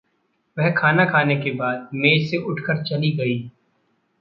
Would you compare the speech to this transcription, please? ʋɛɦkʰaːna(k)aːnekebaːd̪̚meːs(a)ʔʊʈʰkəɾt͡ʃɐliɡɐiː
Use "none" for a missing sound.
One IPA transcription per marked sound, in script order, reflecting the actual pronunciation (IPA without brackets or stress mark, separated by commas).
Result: kʰ, e